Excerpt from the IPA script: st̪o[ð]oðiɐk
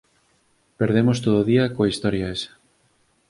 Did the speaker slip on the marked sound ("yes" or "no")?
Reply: no